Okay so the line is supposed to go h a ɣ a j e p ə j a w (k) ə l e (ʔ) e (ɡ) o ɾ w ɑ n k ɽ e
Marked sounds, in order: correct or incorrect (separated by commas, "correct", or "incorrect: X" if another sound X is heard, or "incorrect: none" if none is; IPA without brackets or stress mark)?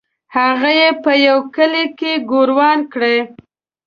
correct, incorrect: k, correct